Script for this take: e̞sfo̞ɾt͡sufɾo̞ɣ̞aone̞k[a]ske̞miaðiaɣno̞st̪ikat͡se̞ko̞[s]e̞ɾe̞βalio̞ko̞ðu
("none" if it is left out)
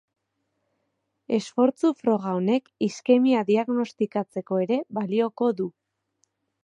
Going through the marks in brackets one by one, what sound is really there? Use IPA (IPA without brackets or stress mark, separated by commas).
i, none